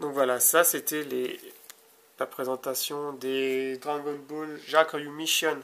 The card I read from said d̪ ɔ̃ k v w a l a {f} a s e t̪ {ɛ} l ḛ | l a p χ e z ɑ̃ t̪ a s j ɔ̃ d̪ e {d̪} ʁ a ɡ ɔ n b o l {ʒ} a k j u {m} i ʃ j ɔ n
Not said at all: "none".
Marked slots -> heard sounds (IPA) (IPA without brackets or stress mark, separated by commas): s, ɛ, d̪, ʒ, m